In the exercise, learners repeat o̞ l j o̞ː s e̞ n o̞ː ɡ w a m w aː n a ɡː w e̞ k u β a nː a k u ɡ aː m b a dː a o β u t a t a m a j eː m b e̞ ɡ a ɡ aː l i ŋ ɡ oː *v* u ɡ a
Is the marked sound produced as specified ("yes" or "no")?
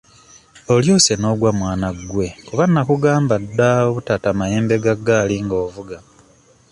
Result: yes